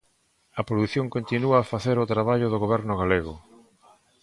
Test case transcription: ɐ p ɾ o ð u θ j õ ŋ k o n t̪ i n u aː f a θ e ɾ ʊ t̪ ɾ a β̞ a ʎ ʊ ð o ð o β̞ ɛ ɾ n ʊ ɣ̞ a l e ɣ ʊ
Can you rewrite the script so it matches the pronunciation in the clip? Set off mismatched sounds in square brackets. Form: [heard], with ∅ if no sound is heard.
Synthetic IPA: ɐ p ɾ o ð u θ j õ ŋ k o n t̪ i n u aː f a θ e ɾ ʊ t̪ ɾ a β̞ a ʎ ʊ ð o [ɣ] o β̞ ɛ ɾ n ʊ ɣ̞ a l e ɣ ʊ